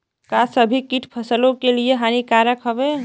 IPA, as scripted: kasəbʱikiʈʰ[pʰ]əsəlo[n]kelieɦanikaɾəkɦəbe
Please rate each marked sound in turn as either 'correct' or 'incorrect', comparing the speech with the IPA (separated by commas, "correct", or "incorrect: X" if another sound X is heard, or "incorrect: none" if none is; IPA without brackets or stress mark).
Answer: correct, incorrect: none